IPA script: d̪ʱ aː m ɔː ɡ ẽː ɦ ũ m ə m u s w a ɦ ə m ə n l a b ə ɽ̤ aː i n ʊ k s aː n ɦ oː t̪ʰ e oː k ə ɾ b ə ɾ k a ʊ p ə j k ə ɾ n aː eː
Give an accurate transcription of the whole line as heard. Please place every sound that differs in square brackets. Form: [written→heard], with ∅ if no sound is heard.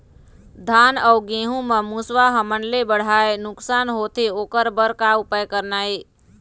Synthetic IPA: d̪ʱ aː [m→n] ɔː ɡ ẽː ɦ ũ m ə m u s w a ɦ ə m ə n l [a→e] b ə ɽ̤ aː [i→e] n ʊ k s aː n ɦ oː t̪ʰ e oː k ə ɾ b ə ɾ k a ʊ p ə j k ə ɾ n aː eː

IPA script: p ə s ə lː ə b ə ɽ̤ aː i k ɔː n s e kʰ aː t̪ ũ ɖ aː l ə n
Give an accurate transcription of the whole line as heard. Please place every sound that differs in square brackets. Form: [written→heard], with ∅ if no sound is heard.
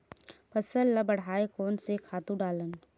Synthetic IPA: p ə s ə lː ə b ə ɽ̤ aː [i→e] k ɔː n s e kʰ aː t̪ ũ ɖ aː l ə n

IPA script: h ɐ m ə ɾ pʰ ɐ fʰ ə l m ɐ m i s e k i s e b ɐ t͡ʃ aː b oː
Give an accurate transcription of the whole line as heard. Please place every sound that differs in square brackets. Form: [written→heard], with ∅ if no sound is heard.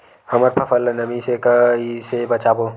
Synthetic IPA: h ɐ m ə ɾ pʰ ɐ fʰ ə l [m→n] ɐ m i s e k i s e b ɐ t͡ʃ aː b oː

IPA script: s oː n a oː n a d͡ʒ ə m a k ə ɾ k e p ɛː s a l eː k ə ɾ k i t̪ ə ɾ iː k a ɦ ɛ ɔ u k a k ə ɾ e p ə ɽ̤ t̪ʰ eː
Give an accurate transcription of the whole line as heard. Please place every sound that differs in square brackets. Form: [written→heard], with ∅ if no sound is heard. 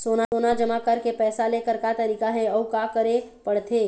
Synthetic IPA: s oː n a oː n a d͡ʒ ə m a k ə ɾ k e p ɛː s a l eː k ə ɾ k [i→a] t̪ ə ɾ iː k a ɦ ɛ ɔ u k a k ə ɾ e p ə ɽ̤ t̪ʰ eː

